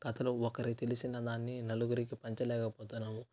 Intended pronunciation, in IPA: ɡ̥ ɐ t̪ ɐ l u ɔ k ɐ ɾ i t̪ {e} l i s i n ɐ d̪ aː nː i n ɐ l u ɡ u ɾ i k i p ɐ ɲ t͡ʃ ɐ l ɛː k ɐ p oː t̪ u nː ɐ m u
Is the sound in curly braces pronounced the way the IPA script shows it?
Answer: yes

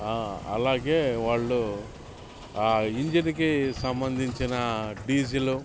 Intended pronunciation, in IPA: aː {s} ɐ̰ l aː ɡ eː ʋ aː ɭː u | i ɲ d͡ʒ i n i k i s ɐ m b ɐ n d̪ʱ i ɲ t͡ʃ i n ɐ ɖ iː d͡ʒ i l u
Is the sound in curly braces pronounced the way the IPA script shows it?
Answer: no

